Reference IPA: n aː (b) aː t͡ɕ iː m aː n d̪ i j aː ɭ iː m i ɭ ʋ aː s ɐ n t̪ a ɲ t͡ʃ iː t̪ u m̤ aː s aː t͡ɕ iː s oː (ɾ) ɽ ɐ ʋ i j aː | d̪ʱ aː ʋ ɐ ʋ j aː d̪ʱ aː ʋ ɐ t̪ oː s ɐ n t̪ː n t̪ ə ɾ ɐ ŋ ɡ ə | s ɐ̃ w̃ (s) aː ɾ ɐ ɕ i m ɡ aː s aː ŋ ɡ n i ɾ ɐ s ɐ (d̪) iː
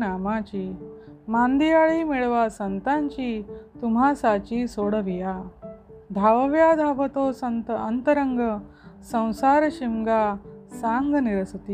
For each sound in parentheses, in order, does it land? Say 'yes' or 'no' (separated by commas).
no, no, yes, no